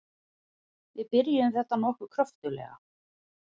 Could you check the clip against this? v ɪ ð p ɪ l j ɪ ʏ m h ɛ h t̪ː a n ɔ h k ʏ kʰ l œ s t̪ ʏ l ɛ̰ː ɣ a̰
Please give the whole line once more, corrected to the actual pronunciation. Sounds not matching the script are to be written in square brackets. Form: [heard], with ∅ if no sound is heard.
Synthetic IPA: v ɪ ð p ɪ [ɾ] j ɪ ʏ m [θ] ɛ h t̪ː a n ɔ h k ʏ kʰ [ɾ] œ [f] t̪ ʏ l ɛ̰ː ɣ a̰

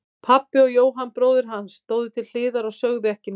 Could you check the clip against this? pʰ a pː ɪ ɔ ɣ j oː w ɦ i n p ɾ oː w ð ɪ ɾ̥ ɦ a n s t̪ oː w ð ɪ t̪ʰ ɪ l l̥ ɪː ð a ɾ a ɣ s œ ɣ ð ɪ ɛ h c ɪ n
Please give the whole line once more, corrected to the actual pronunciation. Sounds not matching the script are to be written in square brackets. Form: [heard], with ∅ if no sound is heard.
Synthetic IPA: pʰ a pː ɪ ɔ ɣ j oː w ɦ [a] n p ɾ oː w ð ɪ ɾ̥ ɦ a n s t̪ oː w ð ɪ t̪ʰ ɪ l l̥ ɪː ð a ɾ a ɣ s œ ɣ ð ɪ ɛ h c ɪ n

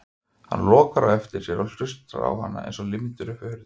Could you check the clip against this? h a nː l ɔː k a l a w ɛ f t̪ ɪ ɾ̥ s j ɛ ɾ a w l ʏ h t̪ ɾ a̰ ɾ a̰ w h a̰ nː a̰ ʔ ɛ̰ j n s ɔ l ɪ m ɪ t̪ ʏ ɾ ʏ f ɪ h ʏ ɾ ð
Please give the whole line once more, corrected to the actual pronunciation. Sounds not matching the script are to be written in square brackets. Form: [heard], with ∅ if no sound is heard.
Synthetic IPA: h a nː l ɔː k a [ɾ] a w ɛ f t̪ ɪ ɾ̥ s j ɛ ɾ a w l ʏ [s] t̪ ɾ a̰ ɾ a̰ w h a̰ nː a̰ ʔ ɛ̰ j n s ɔ l ɪ m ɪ t̪ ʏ ɾ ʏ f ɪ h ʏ ɾ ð

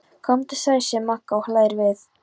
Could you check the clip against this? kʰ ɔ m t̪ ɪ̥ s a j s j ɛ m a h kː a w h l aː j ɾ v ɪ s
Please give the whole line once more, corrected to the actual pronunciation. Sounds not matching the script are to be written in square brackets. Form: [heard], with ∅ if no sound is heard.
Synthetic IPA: kʰ ɔ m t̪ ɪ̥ s a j s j ɛ m a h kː a w h l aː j ɾ v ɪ [θ]

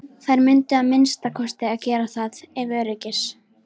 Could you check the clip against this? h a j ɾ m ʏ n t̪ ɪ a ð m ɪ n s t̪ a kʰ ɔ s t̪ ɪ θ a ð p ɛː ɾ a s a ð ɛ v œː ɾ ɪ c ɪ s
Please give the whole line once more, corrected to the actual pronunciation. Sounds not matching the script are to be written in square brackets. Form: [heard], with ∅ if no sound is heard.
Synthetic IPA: [θ] a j ɾ m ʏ n t̪ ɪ a ð m ɪ n s t̪ a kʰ ɔ s t̪ ɪ [∅] a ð [c] ɛː ɾ a [θ] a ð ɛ v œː ɾ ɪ c ɪ s

